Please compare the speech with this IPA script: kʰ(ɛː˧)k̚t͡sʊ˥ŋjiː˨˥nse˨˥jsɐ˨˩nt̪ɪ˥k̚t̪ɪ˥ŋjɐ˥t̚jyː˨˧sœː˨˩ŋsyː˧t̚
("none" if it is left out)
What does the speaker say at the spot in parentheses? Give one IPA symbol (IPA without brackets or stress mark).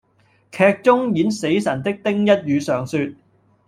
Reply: ɛː˧